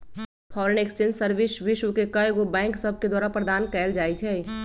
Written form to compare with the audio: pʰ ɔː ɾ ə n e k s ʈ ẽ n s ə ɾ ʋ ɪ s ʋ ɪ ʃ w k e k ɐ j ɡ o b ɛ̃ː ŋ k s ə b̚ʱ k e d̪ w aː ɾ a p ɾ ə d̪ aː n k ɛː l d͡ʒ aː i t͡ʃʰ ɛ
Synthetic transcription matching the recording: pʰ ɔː ɾ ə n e k s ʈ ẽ n s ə ɾ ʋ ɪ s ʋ ɪ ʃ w k e k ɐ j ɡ o b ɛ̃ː ŋ k s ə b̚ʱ k e d̪ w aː ɾ a p ɾ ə d̪ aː n k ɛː l d͡ʒ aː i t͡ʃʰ ɛ